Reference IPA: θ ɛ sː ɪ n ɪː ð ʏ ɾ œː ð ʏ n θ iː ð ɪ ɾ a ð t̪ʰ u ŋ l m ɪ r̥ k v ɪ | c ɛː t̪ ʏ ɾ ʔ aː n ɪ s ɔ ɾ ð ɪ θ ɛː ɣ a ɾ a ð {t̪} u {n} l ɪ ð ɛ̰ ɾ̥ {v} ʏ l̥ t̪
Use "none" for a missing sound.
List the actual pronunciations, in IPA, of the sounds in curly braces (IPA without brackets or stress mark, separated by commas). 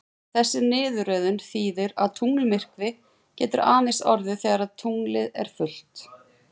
t̪ʰ, ŋ, f